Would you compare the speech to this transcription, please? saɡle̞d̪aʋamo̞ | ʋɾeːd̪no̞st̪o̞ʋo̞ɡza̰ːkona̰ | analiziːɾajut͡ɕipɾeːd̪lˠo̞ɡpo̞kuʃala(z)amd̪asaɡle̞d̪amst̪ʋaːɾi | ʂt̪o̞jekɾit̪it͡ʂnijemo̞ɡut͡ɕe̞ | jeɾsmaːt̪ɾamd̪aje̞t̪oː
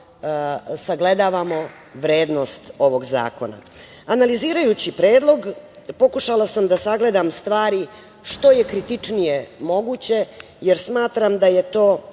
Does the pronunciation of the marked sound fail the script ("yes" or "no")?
yes